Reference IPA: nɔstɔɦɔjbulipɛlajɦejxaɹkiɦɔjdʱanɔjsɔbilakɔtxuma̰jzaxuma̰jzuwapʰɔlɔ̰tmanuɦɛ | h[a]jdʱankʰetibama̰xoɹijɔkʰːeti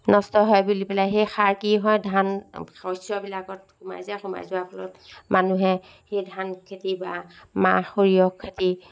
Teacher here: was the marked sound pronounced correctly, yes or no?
no